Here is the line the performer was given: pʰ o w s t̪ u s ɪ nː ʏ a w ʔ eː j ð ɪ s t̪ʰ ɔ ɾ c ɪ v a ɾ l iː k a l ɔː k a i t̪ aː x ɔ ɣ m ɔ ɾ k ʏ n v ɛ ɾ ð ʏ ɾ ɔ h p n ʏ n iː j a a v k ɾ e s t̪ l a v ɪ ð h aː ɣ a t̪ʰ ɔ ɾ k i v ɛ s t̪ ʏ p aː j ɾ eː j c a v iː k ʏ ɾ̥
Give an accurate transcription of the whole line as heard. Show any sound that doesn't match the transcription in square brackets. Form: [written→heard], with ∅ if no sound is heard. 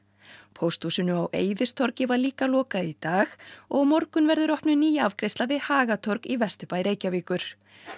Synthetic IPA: pʰ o w s t̪ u s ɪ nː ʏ a w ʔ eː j ð ɪ s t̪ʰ ɔ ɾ c ɪ v a ɾ l iː k a l ɔː k a i t̪ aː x ɔ ɣ m ɔ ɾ k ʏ n v ɛ ɾ ð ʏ ɾ ɔ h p n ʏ n iː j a a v k ɾ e s t̪ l a v ɪ ð h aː ɣ a t̪ʰ ɔ ɾ k i v ɛ s t̪ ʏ p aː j ɾ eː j c a v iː k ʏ ɾ̥

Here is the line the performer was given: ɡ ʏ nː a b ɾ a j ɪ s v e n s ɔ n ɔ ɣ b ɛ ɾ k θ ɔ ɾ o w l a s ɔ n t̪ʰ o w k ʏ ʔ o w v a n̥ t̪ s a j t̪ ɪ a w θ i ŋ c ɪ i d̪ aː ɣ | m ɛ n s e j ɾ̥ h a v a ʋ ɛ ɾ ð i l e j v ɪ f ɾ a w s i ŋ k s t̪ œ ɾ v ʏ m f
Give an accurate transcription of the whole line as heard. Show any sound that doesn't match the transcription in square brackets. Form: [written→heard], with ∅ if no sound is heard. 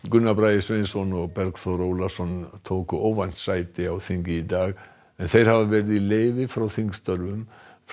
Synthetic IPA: ɡ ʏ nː a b ɾ a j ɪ s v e n s ɔ n ɔ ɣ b ɛ ɾ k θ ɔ ɾ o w l a s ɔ n t̪ʰ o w k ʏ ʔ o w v a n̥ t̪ s a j t̪ ɪ a w θ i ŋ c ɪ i d̪ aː ɣ | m ɛ n [s→θ] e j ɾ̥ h a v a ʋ ɛ ɾ ð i l e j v ɪ f ɾ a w [s→θ] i ŋ k s t̪ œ ɾ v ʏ m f

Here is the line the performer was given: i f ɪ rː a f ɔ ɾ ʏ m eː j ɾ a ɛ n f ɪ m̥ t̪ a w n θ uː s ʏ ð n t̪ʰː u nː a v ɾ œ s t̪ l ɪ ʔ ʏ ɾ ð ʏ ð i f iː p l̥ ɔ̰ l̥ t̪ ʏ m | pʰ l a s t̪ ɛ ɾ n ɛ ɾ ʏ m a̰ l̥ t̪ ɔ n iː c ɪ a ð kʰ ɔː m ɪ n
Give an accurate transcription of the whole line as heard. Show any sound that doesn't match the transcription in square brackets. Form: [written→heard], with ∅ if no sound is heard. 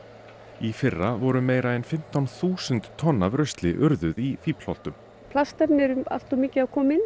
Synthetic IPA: i f ɪ rː a [f→v] ɔ ɾ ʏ m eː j ɾ a ɛ n f ɪ m̥ t̪ a w n θ uː s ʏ [ð→∅] n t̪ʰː [u→ɔ] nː a v ɾ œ s t̪ l ɪ ʔ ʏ ɾ ð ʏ ð i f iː p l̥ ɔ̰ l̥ t̪ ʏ m | pʰ l a s t̪ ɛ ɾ n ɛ ɾ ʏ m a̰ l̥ t̪ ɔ [n→m] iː c ɪ a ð kʰ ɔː m ɪ n

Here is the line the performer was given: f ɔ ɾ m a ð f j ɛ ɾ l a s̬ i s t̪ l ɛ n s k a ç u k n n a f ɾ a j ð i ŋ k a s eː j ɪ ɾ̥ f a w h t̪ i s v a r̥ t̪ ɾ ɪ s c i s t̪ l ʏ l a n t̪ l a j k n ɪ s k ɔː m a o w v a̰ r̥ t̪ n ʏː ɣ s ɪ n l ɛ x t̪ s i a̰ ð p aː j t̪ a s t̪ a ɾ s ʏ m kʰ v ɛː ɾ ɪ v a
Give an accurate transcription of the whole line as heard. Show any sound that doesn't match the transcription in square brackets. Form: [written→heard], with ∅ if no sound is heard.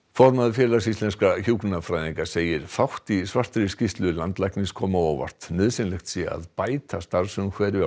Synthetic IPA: f ɔ ɾ m a ð f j ɛ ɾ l a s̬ i s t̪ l ɛ n s k a ç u k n n a f ɾ a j ð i ŋ k a s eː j ɪ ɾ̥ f a w h t̪ i s v a r̥ t̪ ɾ ɪ s c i s t̪ l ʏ l a n t̪ l a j k n ɪ s [k→kʰ] ɔː m a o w v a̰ r̥ t̪ n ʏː [ɣ→ð] s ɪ n l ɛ x t̪ s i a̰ ð p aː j t̪ a s t̪ a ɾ s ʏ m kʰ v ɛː ɾ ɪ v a

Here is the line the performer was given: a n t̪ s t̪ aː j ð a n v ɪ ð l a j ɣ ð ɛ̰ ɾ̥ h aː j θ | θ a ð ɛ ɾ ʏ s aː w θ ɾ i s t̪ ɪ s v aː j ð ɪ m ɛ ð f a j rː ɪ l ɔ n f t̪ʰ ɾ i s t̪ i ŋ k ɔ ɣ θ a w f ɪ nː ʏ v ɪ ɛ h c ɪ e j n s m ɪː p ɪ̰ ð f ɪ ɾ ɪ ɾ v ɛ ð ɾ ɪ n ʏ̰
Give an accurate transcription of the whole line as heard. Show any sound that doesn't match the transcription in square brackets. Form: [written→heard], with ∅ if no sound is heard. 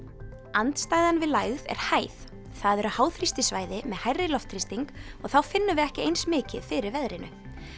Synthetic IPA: a n t̪ s t̪ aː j ð a n v ɪ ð l a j ɣ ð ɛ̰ ɾ̥ h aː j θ | θ a ð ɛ ɾ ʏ [s→h] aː w θ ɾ i s t̪ ɪ s v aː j ð ɪ m ɛ ð [f→h] a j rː ɪ l ɔ [n→∅] f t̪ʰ ɾ i s t̪ i ŋ k ɔ ɣ θ a w f ɪ nː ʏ v ɪ ɛ h c ɪ e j n s m ɪː [p→c] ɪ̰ ð f ɪ ɾ ɪ ɾ v ɛ ð ɾ ɪ n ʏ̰

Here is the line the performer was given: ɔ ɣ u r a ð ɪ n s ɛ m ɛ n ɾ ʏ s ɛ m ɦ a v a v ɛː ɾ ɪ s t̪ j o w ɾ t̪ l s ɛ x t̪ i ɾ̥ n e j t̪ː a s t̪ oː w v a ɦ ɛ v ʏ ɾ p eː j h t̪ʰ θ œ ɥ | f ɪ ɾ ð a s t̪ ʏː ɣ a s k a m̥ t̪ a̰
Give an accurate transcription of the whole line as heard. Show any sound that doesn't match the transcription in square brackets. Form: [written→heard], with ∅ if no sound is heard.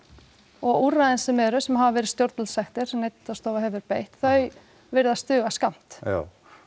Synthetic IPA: ɔ ɣ u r a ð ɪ n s ɛ m ɛ [n→∅] ɾ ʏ s ɛ m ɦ a v a v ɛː ɾ ɪ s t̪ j o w ɾ t̪ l s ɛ x t̪ [i→ɪ] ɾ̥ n e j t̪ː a s t̪ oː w v a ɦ ɛ v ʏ ɾ p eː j h [t̪ʰ→t̪] θ œ ɥ | [f→v] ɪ ɾ ð a s t̪ ʏː ɣ a s k a m̥ t̪ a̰

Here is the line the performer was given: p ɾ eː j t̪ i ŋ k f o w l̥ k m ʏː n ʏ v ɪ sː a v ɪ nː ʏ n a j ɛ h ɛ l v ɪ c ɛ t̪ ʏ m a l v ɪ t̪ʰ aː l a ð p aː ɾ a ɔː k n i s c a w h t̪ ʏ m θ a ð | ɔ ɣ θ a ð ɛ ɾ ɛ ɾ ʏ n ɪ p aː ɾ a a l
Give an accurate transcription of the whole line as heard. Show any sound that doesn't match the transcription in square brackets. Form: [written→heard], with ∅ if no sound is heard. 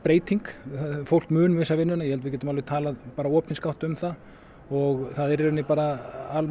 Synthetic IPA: p ɾ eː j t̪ i ŋ k f o w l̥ k m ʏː n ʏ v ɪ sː a v ɪ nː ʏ n a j ɛ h ɛ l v ɪ c ɛ t̪ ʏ m a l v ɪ t̪ʰ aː l a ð p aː ɾ a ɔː [k→p] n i s [c→k] a w h t̪ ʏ m θ a ð | ɔ ɣ θ a ð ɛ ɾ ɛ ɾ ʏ n ɪ p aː ɾ a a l

